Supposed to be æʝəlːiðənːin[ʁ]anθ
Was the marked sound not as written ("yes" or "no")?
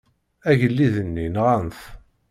no